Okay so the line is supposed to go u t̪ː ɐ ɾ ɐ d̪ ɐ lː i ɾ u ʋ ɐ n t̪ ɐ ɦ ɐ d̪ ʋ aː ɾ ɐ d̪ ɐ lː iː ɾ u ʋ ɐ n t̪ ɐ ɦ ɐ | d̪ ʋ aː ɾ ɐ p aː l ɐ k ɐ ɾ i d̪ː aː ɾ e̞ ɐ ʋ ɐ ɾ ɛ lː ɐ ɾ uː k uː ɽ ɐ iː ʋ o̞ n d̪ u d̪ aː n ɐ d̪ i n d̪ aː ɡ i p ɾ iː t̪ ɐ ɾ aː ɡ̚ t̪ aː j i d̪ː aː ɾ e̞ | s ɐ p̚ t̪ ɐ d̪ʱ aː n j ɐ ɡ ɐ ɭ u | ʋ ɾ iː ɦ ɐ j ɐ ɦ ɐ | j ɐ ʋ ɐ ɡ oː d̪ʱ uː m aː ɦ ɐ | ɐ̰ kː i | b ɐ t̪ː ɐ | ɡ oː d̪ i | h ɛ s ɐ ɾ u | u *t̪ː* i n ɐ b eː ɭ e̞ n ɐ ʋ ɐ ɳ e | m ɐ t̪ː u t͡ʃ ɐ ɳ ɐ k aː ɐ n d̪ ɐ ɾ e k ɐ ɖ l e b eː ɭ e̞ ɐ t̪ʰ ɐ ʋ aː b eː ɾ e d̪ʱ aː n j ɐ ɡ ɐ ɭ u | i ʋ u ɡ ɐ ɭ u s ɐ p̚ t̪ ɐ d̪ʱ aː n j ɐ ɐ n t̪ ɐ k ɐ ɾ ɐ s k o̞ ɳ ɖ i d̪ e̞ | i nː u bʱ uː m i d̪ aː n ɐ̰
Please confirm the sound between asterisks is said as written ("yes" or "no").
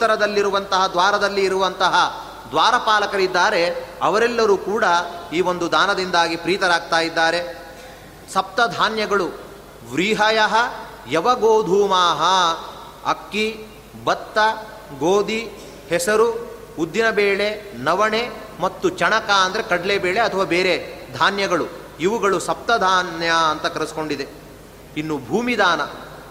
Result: no